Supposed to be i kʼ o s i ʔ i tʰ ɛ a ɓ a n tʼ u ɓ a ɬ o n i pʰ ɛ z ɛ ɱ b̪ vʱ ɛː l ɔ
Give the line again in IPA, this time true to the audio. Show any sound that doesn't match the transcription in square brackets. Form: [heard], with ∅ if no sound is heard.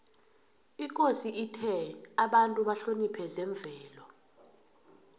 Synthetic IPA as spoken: i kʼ o s i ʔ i tʰ ɛ a ɓ a n tʼ u ɓ a ɬ o n i pʰ ɛ z ɛ ɱ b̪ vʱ ɛː l ɔ